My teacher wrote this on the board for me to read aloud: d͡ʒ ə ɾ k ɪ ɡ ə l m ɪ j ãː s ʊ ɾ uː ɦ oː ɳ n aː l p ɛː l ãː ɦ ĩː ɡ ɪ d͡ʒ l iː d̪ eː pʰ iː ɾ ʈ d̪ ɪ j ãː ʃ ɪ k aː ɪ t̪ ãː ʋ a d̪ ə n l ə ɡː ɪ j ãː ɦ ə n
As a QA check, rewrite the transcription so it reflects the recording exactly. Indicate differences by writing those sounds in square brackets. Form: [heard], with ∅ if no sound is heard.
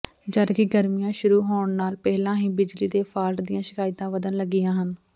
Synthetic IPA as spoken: d͡ʒ ə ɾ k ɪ ɡ ə [ɾ] m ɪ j ãː [ʃ] ʊ ɾ uː ɦ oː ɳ n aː l p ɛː l ãː ɦ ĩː [b] ɪ d͡ʒ l iː d̪ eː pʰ [aː] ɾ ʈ d̪ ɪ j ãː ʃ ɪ k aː ɪ t̪ ãː ʋ [ə] d̪ ə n l ə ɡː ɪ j ãː ɦ ə n

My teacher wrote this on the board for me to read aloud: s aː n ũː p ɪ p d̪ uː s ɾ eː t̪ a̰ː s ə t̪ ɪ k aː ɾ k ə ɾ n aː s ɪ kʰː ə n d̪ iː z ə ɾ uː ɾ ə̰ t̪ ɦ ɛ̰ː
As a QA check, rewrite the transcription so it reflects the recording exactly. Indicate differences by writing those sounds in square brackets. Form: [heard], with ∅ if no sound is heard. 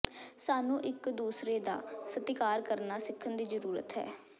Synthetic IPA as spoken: s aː n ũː [ʔ] ɪ [k] d̪ uː s ɾ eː [d̪] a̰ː s ə t̪ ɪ k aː ɾ k ə ɾ n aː s ɪ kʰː ə n d̪ iː z ə ɾ uː ɾ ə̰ t̪ ɦ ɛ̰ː

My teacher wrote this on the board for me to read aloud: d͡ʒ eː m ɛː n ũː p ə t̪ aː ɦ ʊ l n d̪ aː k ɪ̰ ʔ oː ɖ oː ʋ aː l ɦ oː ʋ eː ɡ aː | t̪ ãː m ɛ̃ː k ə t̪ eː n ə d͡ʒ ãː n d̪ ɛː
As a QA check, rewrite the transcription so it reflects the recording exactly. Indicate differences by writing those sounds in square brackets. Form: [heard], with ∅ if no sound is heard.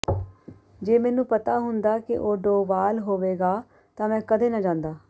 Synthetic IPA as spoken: d͡ʒ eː m ɛː n ũː p ə t̪ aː ɦ ʊ [∅] n d̪ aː k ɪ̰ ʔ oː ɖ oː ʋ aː l ɦ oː ʋ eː ɡ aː | t̪ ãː m ɛ̃ː k ə [d̪] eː n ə d͡ʒ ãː n d̪ [aː]

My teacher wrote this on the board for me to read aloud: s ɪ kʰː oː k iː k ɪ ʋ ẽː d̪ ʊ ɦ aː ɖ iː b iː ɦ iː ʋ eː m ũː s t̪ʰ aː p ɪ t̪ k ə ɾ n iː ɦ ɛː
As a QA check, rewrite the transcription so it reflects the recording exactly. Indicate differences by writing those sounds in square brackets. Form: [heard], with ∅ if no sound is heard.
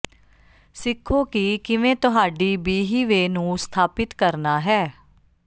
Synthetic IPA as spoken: s ɪ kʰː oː k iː k ɪ ʋ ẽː [t̪] ʊ ɦ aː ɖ iː b iː ɦ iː ʋ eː [n] ũː s t̪ʰ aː p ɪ t̪ k ə ɾ n [aː] ɦ ɛː

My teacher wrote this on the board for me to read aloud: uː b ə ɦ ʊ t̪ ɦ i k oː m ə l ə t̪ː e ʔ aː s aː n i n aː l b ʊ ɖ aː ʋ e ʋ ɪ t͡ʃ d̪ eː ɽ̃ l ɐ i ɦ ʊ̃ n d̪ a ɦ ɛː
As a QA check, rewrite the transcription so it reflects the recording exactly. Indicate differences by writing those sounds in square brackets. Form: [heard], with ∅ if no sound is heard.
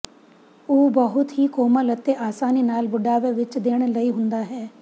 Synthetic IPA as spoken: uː b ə ɦ ʊ t̪ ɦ i k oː m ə l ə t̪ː e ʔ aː s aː n i n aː l b ʊ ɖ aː ʋ e ʋ ɪ t͡ʃ d̪ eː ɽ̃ l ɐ i ɦ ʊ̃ n d̪ a ɦ ɛː

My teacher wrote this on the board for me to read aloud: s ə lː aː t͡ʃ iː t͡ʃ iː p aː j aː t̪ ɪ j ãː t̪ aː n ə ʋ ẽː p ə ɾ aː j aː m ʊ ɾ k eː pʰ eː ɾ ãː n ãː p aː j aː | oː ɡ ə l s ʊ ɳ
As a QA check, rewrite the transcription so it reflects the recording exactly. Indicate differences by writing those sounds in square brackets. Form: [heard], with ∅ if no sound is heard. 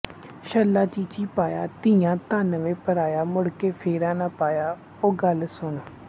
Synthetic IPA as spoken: [ʃ] ə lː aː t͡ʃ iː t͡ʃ iː p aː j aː t̪ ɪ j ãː t̪ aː n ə ʋ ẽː p ə ɾ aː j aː m ʊ [ɽ] k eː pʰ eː ɾ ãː n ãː p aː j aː | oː ɡ ə l s ʊ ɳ

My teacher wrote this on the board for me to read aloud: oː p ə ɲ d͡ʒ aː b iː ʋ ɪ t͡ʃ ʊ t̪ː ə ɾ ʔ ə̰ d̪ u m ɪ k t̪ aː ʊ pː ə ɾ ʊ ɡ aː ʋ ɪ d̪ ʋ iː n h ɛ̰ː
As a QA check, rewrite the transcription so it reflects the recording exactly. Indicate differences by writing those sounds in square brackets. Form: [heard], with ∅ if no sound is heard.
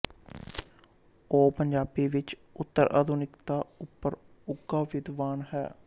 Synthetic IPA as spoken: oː p ə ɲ d͡ʒ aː b iː ʋ ɪ t͡ʃ ʊ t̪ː ə ɾ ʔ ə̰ d̪ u [n] ɪ k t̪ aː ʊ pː ə ɾ ʊ ɡ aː ʋ ɪ d̪ ʋ [aː] n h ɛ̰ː

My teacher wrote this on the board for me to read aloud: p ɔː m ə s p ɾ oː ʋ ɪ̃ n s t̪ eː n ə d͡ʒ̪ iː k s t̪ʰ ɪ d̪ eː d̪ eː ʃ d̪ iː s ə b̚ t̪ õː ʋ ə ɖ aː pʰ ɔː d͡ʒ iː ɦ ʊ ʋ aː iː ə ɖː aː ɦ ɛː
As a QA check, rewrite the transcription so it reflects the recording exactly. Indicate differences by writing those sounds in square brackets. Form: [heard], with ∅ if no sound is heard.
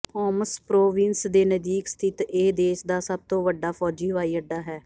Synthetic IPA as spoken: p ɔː m ə s p ɾ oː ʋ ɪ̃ n s [d̪] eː n ə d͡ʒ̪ iː k s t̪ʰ ɪ [t̪] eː d̪ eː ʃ d̪ [aː] s ə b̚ t̪ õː ʋ ə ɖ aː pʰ ɔː d͡ʒ iː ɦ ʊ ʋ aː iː ə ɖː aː ɦ ɛː

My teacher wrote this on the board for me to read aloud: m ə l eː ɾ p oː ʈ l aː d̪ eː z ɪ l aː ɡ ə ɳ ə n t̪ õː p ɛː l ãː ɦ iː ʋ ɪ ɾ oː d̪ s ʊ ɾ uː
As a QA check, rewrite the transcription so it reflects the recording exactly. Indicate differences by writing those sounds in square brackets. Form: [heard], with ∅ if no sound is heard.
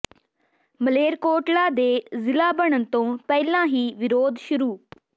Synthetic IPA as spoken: m ə l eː ɾ [k] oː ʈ l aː d̪ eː z ɪ l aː [b] ə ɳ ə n t̪ õː p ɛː l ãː ɦ iː ʋ ɪ ɾ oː d̪ [ʃ] ʊ ɾ uː

